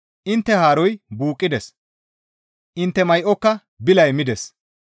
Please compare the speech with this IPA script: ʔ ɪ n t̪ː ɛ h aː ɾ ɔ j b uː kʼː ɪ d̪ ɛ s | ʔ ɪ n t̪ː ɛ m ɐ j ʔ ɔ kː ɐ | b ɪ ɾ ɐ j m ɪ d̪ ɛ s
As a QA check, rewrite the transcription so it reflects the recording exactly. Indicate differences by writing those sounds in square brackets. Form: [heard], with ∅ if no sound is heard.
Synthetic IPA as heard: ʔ ɪ n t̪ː ɛ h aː ɾ ɔ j b uː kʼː ɪ d̪ ɛ s | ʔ ɪ n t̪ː ɛ m ɐ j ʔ ɔ kː ɐ | b ɪ [l] ɐ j m ɪ d̪ ɛ s